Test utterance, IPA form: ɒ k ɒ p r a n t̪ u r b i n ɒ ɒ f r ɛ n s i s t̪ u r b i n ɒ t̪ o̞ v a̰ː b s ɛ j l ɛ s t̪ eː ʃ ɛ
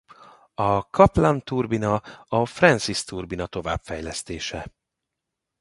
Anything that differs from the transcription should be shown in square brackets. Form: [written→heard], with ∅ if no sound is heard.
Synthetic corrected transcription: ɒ k ɒ p [r→l] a n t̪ u r b i n ɒ ɒ f r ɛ n s i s t̪ u r b i n ɒ t̪ o̞ v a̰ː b [s→f] ɛ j l ɛ s t̪ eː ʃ ɛ